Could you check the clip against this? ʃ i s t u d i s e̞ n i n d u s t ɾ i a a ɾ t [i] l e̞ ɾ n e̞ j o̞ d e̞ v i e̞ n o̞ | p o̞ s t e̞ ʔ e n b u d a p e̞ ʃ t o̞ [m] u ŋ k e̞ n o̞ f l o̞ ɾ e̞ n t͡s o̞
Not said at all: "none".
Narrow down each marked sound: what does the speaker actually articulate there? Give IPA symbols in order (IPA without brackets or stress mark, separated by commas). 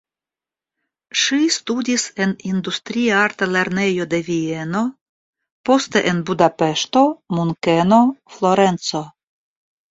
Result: a, m